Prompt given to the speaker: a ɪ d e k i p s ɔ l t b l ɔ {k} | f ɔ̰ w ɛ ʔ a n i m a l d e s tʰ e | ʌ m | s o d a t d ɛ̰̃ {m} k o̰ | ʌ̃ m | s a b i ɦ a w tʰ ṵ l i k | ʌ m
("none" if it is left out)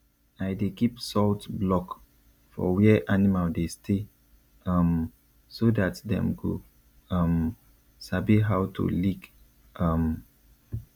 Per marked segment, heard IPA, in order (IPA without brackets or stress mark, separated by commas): k, m